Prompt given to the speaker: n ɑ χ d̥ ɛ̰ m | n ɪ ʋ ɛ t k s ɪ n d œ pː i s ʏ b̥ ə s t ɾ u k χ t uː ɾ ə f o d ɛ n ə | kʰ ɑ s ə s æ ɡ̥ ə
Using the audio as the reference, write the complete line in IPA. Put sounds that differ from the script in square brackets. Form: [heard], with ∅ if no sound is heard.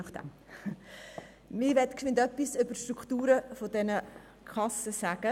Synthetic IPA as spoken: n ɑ χ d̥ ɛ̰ m | [m] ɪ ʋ ɛ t k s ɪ n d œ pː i s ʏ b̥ ə [ʃ] t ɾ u k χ t uː ɾ ə f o d ɛ n ə | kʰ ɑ s ə s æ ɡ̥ ə